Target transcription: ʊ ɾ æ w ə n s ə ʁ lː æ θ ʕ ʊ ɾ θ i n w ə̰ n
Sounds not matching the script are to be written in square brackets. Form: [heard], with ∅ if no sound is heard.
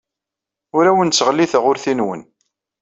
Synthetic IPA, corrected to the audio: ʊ ɾ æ w ə n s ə ʁ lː [i] θ [ʁ] ʊ ɾ θ i n w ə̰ n